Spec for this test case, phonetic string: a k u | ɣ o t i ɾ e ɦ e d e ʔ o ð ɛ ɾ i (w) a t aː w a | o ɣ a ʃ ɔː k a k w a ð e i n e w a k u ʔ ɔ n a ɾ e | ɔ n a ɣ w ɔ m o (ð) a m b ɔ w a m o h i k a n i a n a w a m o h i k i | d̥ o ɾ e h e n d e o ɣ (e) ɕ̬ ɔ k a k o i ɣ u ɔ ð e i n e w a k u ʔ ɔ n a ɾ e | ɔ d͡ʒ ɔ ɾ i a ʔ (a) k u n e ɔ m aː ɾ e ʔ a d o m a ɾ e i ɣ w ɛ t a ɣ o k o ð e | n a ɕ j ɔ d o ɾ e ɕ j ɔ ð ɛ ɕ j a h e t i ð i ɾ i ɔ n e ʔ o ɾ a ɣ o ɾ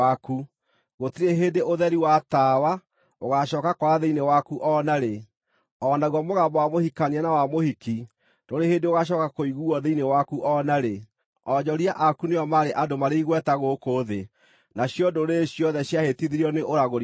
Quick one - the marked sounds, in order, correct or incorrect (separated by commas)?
correct, incorrect, incorrect, correct